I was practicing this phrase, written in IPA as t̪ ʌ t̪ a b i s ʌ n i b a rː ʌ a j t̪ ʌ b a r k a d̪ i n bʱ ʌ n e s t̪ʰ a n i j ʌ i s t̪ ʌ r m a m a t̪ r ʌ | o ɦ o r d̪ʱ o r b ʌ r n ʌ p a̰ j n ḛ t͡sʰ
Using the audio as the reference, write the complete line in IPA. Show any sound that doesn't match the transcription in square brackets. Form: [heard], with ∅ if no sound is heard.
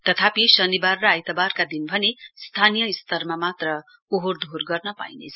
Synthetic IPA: t̪ ʌ [t̪ʰ] a [p] i s ʌ n i b a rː ʌ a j t̪ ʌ b a r k a d̪ i n bʱ ʌ n e s t̪ʰ a n i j ʌ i s t̪ ʌ r m a m a t̪ r ʌ | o ɦ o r d̪ʱ o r [ɡ] ʌ r n ʌ p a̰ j n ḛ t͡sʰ